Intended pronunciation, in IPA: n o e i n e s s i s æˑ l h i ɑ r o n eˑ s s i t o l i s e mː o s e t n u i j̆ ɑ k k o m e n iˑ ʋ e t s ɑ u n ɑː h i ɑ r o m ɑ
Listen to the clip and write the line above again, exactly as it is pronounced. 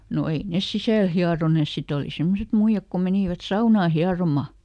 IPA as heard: n o e i n e s s i s æˑ l h i ɑ r o n eˑ s s i t o l i s e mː o s e t m u i j̆ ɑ k k o m e n iˑ ʋ æ t s ɑ u n ɑː h i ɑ r o m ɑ